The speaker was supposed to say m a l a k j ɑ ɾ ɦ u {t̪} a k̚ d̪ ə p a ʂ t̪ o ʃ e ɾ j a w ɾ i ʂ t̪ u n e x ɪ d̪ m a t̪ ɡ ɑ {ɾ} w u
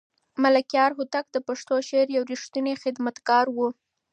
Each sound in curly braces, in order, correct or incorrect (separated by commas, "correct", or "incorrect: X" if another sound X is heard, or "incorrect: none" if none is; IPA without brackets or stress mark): correct, correct